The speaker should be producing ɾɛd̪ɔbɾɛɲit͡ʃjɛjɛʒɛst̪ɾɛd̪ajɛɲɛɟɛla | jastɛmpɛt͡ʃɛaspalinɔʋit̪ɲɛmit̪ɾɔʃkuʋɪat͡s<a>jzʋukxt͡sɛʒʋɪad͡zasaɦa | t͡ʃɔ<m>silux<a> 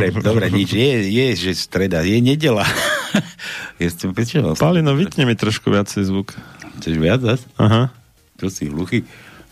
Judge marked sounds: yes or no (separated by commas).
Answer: no, no, no